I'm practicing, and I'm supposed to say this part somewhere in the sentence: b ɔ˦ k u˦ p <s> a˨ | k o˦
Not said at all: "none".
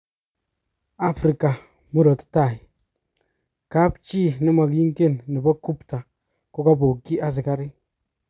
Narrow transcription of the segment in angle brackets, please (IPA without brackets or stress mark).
t